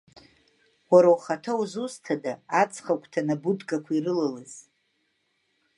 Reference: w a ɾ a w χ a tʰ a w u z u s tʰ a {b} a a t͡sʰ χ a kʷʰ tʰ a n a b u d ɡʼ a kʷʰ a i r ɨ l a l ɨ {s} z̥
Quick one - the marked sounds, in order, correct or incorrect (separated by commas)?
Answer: incorrect, incorrect